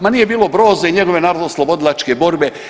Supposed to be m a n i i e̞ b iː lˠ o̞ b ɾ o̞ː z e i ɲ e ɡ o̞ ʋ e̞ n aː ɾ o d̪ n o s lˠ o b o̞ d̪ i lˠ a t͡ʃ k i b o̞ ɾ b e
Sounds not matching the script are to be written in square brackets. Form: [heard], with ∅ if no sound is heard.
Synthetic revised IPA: m a n i [j] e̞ b iː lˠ o̞ b ɾ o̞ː z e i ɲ e ɡ o̞ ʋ e̞ n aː ɾ o d̪ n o s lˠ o b o̞ d̪ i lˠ a t͡ʃ k [e] b o̞ ɾ b e

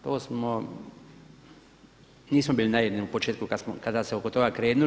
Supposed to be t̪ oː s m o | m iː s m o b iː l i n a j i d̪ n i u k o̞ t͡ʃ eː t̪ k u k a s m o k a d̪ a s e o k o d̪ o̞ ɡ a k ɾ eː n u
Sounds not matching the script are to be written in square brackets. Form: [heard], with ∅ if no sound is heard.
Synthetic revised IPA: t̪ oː s m o | [n] iː s m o b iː l i n a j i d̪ n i u [p] o̞ t͡ʃ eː t̪ k u k a s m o k a d̪ a s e o k o [t̪] o̞ ɡ a k ɾ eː n u

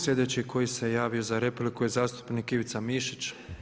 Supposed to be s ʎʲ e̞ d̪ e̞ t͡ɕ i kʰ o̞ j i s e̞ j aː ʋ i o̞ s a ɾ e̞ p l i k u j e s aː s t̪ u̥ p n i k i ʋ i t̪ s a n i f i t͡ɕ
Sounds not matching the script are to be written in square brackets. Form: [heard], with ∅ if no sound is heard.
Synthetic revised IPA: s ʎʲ e̞ d̪ e̞ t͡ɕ i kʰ o̞ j i s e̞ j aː ʋ i o̞ [z] a ɾ e̞ p l i k u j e [z] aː s t̪ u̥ p n i k i ʋ i t̪ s a [m] i [ʃ] i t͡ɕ

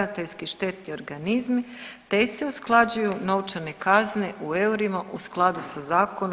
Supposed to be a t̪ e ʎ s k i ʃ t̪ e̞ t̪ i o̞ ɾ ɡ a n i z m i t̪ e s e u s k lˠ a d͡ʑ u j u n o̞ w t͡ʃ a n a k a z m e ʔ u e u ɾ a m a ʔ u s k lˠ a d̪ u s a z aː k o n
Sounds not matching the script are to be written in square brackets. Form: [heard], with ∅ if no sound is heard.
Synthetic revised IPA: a t̪ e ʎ s k i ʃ t̪ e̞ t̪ i o̞ ɾ ɡ a n i z m i t̪ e s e u s k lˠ a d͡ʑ u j u n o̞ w t͡ʃ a n [e] k a z [n] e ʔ u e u ɾ [i] m a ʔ u s k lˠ a d̪ u s a z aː k o n

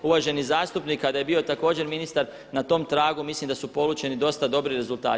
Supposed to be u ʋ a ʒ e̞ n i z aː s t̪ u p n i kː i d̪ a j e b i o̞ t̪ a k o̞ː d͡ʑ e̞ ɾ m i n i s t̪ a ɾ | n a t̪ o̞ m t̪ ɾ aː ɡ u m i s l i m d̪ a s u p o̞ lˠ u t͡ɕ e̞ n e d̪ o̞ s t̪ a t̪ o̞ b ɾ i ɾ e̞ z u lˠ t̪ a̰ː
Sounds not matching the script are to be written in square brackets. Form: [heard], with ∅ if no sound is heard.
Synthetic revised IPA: u ʋ a ʒ e̞ n i z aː s t̪ u p n i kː [a] d̪ a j e b i o̞ t̪ a k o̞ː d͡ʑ e̞ ɾ m i n i s t̪ a ɾ | n a t̪ o̞ m t̪ ɾ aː ɡ u m i s l i m d̪ a s u p o̞ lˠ u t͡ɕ e̞ n [i] d̪ o̞ s t̪ a [d̪] o̞ b ɾ i ɾ e̞ z u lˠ t̪ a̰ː

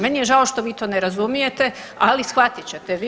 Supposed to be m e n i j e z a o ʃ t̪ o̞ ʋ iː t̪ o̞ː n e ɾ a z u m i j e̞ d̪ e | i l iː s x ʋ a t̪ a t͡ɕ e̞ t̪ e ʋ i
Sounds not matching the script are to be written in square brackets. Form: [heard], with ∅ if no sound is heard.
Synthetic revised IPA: m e n i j e [ʒ] a o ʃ t̪ o̞ ʋ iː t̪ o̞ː n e ɾ a z u m i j e̞ [t̪] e | [a] l [i] s x ʋ a t̪ [i] t͡ɕ e̞ t̪ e ʋ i

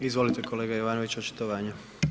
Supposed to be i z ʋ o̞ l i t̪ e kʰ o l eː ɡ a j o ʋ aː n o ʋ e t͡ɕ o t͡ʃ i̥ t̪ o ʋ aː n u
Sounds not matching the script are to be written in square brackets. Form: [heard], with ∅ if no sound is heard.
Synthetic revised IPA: i z ʋ o̞ l i t̪ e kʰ o l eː ɡ a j o ʋ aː n o ʋ [i] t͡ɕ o t͡ʃ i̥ t̪ o ʋ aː [ɲ] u

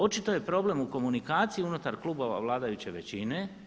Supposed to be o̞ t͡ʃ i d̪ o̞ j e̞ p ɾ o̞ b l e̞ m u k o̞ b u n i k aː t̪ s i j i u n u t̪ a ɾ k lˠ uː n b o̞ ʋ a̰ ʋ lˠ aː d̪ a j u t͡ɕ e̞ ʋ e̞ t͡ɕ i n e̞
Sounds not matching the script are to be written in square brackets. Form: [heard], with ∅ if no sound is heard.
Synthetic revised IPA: o̞ t͡ʃ i [t̪] o̞ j e̞ p ɾ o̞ b l e̞ m u k o̞ [m] u n i k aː t̪ s i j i u n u t̪ a ɾ k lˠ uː [∅] b o̞ ʋ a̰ ʋ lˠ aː d̪ a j u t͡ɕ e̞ ʋ e̞ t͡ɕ i n e̞

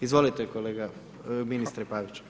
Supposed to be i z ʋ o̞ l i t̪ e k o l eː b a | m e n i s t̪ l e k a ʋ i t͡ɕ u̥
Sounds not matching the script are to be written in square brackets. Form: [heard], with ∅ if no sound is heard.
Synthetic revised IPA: i z ʋ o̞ l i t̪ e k o l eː [ɡ] a | m [i] n i s t̪ [ɾ] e [p] a ʋ i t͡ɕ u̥

